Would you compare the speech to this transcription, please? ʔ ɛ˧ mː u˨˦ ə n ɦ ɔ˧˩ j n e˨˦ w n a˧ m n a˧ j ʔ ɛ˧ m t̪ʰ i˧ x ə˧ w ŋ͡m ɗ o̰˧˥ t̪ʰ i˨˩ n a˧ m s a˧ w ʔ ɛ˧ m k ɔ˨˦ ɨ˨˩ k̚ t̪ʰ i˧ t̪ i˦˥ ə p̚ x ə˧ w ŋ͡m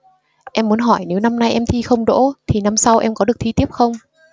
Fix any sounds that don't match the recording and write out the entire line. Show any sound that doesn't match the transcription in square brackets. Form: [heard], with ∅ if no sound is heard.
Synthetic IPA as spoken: ʔ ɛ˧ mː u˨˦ ə n ɦ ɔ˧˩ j n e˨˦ w n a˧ m n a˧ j ʔ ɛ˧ m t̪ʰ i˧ x ə˧ w ŋ͡m ɗ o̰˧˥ t̪ʰ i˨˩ n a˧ m s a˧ w ʔ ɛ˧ m k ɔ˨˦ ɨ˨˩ k̚ t̪ʰ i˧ t̪ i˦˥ ə p̚ x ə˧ w ŋ͡m